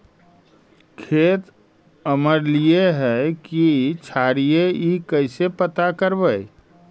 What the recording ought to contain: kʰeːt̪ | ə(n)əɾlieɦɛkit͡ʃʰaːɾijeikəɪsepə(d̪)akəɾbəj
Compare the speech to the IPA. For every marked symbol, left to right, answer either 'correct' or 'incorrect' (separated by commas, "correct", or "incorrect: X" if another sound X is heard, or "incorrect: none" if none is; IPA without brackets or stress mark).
incorrect: m, incorrect: t̪